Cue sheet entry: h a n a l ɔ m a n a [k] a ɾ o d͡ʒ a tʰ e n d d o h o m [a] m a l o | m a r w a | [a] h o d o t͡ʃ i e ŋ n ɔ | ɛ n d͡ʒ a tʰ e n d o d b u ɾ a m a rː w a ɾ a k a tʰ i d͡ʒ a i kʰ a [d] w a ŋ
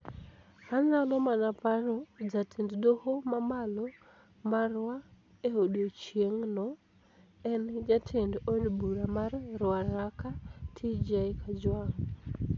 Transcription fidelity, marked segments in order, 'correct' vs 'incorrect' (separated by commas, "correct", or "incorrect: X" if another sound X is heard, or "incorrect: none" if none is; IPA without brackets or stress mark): incorrect: p, correct, incorrect: e, incorrect: d͡ʒ